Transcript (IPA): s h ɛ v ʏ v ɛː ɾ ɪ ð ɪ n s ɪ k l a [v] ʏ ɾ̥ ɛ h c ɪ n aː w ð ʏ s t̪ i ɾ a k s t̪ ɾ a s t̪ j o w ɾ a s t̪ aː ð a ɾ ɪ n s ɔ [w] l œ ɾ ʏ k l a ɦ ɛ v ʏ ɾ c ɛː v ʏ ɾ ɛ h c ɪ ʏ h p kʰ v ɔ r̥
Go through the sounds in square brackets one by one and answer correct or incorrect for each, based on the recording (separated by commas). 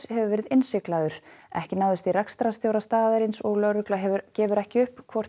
incorrect, incorrect